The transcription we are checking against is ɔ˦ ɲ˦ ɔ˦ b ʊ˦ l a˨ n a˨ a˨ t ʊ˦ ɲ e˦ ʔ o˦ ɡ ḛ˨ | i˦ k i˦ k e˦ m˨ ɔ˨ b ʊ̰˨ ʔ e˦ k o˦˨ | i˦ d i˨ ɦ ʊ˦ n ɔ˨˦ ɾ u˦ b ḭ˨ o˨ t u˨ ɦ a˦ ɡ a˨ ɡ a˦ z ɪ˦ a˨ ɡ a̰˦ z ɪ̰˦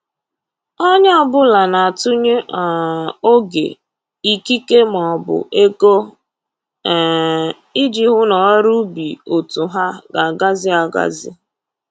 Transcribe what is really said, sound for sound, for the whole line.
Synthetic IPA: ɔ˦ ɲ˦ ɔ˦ b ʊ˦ l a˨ n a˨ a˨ t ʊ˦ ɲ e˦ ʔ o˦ ɡ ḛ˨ | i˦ k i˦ k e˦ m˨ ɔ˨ b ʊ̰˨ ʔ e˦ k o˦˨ | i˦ d͡ʒ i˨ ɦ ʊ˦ n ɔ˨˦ ɾ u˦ b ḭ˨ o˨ t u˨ ɦ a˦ ɡ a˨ ɡ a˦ z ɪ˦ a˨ ɡ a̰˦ z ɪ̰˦